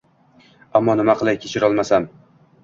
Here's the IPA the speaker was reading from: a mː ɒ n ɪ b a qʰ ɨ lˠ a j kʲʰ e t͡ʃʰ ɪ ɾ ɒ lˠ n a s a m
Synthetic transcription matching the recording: a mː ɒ n ɪ m a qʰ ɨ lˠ a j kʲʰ e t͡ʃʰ ɪ ɾ ɒ lˠ m a s a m